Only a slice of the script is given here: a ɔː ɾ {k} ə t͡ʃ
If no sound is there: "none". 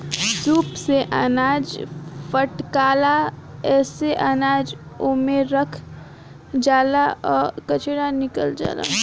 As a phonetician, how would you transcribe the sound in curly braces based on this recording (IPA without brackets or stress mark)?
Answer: k